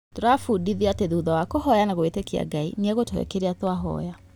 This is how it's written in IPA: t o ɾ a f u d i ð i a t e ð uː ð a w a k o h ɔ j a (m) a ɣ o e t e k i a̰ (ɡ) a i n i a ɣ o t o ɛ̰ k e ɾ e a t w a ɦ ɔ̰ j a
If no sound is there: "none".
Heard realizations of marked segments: n, ɡ

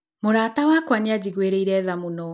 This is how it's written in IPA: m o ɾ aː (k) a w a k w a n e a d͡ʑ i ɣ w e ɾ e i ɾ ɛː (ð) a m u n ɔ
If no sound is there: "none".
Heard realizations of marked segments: t, ð

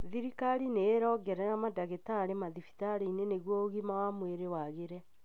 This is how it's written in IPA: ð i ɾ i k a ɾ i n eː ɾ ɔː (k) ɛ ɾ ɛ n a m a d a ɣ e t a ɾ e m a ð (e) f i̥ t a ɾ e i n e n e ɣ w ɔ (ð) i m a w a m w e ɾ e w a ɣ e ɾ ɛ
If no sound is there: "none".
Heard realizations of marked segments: ɡ, i, ɣ

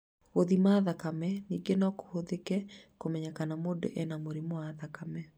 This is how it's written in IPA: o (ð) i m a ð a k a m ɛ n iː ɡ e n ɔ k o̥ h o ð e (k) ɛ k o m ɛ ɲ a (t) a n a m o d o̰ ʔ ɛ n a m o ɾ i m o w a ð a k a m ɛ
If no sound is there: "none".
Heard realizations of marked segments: ð, k, k

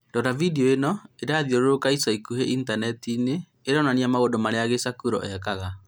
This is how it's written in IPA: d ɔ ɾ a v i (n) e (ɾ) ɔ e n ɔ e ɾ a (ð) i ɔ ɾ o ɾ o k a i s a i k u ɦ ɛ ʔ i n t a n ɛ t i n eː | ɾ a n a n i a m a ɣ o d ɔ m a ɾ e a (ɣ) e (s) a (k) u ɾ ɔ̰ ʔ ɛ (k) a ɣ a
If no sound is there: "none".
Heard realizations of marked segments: d, none, ð, ɣ, s, k, k

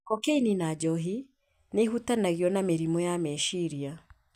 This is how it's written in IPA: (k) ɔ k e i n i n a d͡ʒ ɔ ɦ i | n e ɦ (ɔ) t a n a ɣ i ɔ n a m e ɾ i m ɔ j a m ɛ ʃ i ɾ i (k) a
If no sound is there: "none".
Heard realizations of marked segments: k, u, none

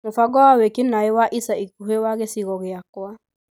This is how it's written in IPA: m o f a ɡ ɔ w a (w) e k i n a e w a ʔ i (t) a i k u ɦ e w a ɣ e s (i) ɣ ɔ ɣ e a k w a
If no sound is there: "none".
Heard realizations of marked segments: w, s, i

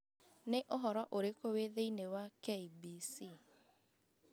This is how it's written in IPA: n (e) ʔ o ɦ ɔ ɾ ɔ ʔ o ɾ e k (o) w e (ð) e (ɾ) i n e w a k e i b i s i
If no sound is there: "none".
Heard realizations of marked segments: e, o, ð, none

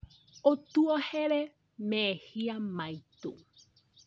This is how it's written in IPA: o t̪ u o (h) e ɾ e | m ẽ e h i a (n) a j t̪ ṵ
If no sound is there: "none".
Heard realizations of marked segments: h, m

